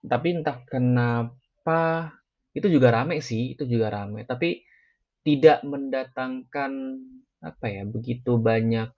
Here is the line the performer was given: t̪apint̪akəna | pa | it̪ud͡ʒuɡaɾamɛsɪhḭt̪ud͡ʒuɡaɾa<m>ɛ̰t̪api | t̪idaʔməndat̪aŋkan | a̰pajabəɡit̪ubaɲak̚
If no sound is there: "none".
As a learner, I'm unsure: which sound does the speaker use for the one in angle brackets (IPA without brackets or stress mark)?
m